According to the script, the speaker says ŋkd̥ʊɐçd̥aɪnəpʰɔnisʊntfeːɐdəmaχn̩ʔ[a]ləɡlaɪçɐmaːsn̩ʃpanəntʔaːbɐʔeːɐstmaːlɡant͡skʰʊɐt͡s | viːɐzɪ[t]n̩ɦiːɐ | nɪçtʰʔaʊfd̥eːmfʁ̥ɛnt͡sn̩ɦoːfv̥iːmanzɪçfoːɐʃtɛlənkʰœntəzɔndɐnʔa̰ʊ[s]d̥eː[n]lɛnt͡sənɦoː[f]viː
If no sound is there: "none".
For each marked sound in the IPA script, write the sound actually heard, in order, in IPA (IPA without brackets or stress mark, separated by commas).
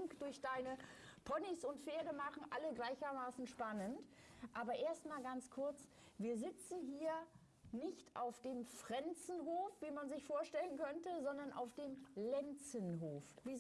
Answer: a, t͡s, f, m, f